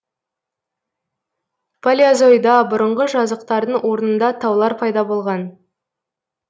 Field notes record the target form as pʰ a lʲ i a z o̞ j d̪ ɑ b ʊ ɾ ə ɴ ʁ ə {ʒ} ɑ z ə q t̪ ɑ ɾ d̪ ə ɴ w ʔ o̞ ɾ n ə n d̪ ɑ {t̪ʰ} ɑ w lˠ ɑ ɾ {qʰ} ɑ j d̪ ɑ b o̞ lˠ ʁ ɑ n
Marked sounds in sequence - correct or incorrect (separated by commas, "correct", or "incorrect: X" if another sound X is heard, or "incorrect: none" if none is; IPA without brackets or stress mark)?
correct, correct, incorrect: pʰ